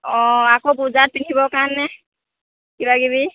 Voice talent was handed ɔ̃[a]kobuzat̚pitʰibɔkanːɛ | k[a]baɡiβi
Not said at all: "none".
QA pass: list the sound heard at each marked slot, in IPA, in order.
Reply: a, i

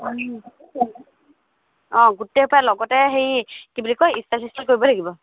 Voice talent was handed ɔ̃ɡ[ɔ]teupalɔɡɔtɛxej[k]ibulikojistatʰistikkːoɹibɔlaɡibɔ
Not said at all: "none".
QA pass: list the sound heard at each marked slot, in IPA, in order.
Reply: u, k

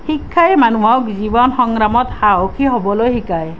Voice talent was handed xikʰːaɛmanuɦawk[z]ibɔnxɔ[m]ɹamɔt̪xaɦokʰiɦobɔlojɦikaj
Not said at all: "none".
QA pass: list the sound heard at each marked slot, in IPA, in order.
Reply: z, ŋ

